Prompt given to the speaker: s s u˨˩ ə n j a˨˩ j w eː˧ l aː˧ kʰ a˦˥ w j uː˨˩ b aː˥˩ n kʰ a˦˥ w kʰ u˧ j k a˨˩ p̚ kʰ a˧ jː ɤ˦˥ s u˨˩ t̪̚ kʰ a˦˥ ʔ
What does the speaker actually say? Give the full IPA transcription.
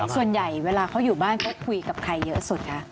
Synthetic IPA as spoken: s s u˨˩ ə n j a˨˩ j w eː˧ l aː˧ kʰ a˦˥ w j uː˨˩ b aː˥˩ n kʰ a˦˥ w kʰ u˧ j k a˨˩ p̚ kʰ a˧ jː ɤ˦˥ s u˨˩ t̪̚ kʰ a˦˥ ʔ

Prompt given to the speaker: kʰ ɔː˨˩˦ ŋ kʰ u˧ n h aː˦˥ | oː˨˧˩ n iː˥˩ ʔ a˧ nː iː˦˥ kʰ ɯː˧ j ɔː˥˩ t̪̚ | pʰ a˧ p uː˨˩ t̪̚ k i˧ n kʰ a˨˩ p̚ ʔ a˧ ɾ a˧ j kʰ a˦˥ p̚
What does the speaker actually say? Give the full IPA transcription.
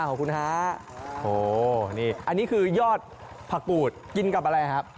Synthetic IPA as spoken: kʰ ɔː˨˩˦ ŋ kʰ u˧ n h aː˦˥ | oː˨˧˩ n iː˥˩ ʔ a˧ nː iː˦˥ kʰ ɯː˧ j ɔː˥˩ t̪̚ | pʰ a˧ k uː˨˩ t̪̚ k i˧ n k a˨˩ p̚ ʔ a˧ ɾ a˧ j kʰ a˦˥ p̚

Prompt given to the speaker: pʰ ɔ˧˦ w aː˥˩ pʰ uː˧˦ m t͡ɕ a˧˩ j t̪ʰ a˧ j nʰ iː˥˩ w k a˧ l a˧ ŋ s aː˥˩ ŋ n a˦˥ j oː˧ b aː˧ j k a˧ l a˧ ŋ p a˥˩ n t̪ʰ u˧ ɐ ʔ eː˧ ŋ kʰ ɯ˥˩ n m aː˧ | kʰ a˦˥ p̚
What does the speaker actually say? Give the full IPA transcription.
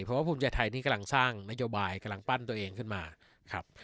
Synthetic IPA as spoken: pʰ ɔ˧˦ w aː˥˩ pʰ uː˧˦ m t͡ɕ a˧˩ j t̪ʰ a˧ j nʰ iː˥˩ k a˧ l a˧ ŋ s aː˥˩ ŋ n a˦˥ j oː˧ b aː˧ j k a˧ l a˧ ŋ p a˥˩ n t̪ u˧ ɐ ʔ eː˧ ŋ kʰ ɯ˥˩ n m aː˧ | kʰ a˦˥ p̚

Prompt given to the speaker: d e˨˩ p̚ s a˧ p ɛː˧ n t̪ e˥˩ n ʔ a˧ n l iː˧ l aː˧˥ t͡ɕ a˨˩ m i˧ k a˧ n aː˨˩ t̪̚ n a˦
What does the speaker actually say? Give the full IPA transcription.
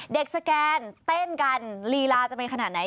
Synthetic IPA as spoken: d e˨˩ k̚ s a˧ k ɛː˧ n t̪ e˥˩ n k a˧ n l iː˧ l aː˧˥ t͡ɕ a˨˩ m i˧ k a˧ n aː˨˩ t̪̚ n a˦

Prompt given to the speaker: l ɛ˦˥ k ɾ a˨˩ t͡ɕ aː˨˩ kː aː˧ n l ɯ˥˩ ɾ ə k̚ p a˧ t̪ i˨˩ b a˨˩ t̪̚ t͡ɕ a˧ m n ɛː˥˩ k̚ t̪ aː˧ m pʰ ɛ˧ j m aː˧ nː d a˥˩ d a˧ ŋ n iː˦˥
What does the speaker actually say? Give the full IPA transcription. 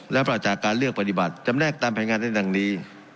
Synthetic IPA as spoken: l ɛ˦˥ p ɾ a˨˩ t͡ɕ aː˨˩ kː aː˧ n l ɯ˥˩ ə k̚ p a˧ t̪ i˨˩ b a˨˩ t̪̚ t͡ɕ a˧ m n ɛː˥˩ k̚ t̪ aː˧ m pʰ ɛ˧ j ŋ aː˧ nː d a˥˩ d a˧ ŋ n iː˦˥

